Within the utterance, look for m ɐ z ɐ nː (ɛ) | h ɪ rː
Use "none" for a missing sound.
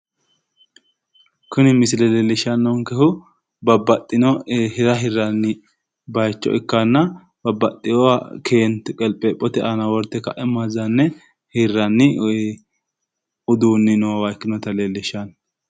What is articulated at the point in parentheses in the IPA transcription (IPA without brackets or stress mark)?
ɛ